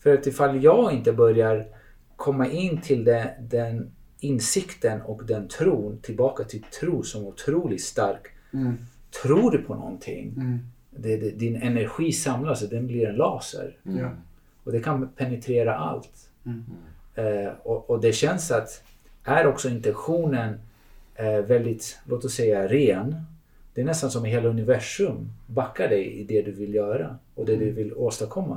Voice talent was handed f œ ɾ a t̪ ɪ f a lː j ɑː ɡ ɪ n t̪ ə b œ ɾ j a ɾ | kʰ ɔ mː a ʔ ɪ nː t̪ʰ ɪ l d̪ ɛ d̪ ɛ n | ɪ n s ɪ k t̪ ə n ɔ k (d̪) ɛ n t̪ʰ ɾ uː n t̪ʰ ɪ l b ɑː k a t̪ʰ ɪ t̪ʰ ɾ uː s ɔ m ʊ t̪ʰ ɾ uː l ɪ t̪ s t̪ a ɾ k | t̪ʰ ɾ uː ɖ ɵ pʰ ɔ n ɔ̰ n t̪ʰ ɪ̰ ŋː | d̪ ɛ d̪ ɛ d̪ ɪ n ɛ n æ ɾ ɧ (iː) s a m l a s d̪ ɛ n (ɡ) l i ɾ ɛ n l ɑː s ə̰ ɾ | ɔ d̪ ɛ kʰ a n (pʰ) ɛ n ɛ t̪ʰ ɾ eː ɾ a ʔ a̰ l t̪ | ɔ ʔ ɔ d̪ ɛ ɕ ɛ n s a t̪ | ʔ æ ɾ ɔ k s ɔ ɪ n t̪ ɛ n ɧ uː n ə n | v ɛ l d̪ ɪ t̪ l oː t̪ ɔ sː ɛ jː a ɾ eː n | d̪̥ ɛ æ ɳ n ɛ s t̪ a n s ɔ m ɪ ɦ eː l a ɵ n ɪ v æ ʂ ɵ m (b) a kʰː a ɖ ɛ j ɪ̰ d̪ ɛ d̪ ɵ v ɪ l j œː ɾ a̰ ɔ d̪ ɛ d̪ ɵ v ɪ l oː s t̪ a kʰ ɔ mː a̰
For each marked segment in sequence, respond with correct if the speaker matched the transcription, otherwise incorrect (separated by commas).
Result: correct, correct, incorrect, correct, correct